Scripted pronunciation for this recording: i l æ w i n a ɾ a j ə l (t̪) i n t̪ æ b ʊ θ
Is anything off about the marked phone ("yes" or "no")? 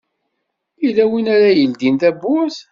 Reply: yes